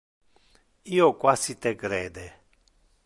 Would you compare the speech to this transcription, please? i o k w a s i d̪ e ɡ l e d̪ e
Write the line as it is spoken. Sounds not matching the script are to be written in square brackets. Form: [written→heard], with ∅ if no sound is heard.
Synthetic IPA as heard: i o k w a s i [d̪→t̪] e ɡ [l→ɾ] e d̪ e